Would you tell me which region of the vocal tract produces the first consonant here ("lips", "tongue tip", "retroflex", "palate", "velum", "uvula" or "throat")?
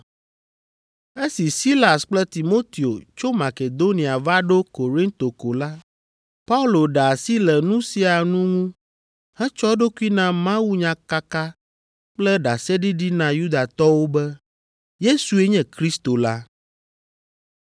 tongue tip